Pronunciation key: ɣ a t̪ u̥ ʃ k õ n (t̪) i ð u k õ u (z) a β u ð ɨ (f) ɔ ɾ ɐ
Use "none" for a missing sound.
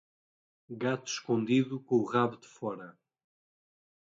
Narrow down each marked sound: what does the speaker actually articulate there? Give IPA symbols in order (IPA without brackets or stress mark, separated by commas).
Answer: d̪, ʁ, f